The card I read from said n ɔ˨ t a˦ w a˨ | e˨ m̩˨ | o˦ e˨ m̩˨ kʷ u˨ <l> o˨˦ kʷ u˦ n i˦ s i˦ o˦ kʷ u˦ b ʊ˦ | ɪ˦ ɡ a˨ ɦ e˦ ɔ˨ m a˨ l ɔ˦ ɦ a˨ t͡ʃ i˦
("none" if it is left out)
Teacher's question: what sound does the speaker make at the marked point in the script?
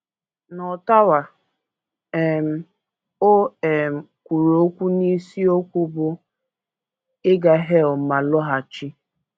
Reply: ɾ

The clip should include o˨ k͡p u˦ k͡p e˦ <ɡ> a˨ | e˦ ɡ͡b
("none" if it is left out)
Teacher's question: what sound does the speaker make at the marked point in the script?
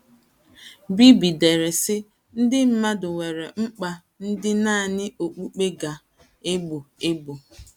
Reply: ɡ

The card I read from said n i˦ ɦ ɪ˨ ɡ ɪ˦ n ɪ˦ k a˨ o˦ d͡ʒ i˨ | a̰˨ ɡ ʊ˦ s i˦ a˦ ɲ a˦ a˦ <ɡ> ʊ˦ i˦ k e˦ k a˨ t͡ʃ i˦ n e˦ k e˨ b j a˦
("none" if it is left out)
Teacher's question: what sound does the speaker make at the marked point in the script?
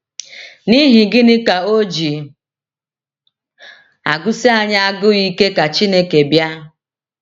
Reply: ɡ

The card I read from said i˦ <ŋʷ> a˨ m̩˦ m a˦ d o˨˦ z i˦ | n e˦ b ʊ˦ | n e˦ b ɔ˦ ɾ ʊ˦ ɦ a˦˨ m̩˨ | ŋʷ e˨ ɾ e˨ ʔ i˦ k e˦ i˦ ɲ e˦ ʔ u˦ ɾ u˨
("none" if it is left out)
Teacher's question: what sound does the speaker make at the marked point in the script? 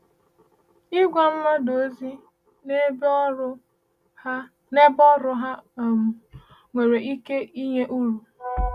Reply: ɡʷ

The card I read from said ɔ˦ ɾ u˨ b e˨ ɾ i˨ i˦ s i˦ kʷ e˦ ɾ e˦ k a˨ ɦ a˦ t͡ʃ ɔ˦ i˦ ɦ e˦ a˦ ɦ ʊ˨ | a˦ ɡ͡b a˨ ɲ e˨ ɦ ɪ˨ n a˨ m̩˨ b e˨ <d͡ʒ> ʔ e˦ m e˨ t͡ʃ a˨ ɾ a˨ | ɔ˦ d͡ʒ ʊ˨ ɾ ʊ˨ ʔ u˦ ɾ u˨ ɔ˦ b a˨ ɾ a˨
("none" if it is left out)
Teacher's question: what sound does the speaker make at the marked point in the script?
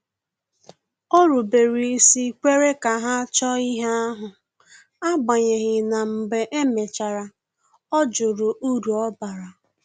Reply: none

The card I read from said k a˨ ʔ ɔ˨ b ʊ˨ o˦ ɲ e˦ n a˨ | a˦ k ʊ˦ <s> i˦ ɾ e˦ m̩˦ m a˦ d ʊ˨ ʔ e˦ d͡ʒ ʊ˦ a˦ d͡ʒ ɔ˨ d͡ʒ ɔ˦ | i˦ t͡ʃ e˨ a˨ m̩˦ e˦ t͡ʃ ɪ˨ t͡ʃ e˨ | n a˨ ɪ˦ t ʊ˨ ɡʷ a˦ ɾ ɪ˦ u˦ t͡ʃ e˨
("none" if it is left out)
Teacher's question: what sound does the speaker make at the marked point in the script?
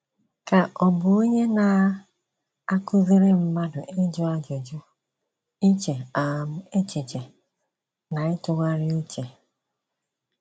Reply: z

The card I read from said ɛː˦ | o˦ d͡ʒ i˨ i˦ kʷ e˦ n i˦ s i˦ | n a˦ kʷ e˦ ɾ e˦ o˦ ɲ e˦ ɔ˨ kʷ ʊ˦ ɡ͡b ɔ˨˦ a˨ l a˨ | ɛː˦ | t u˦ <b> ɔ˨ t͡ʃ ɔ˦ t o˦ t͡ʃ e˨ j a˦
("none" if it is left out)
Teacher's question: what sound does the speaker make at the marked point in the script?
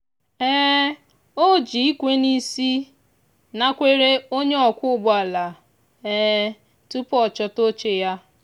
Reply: p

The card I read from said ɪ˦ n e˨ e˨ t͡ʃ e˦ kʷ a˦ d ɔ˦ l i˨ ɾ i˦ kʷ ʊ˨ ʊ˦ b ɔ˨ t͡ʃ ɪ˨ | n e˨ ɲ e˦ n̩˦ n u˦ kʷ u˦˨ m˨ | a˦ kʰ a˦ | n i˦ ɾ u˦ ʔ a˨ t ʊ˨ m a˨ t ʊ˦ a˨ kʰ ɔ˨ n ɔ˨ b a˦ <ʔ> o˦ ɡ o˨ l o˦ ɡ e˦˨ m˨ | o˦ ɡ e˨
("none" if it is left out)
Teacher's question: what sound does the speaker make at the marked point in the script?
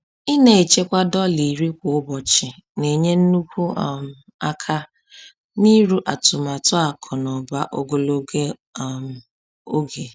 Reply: ʔ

